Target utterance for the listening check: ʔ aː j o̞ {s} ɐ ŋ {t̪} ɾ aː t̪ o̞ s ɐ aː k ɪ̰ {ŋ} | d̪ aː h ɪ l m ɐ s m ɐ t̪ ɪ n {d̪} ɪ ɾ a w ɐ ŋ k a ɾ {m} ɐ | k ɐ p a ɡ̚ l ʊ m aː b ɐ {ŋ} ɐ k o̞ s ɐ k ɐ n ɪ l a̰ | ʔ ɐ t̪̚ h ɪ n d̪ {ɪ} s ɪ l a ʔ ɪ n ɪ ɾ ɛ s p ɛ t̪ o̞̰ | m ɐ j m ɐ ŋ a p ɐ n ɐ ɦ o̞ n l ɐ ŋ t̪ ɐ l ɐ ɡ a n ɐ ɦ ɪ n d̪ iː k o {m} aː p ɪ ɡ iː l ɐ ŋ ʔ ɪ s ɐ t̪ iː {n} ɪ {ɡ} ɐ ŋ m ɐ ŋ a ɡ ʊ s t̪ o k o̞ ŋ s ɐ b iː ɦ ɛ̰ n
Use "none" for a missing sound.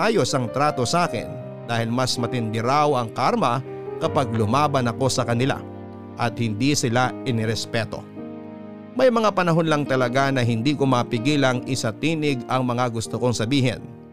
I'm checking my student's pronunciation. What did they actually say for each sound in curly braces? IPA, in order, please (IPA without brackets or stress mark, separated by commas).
s, t̪, n, d̪, m, n, i, m, n, ɡ